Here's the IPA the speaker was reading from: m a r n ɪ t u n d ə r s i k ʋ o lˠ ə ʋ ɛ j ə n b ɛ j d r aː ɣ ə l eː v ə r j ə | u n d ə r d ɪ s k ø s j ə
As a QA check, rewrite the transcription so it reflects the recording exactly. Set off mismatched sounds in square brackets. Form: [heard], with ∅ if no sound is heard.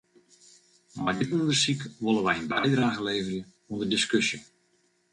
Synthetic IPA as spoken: m a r [d] ɪ t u n d ə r s i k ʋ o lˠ ə ʋ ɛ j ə n b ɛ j d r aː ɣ ə l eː v ə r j ə | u n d ə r d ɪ s k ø s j ə